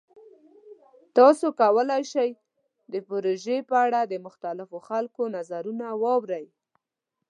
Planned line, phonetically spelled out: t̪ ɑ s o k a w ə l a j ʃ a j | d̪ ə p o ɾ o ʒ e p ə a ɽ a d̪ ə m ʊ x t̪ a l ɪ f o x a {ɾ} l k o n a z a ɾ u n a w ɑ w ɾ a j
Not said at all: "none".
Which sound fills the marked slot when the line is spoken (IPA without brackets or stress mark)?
none